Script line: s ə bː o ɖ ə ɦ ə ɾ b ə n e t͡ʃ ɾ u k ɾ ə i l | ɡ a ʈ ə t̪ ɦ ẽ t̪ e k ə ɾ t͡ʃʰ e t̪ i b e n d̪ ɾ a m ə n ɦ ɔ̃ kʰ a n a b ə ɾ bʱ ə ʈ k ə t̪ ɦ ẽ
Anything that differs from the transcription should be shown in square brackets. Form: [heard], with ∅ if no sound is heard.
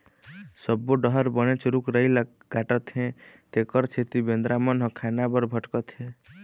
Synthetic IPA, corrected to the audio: s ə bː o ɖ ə ɦ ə ɾ b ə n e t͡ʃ ɾ u k ɾ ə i l | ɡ a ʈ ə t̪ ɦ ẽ t̪ e k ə ɾ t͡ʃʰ e t̪ i b e n d̪ ɾ a m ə n ɦ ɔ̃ kʰ a n a b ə ɾ bʱ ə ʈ k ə t̪ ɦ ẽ